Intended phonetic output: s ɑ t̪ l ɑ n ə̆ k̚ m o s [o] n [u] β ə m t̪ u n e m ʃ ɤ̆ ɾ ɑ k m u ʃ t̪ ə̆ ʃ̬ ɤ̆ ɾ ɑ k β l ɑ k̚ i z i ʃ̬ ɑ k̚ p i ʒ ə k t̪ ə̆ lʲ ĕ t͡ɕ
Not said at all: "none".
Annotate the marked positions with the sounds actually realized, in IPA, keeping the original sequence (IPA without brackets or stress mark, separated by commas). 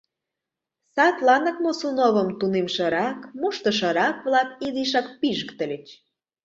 u, o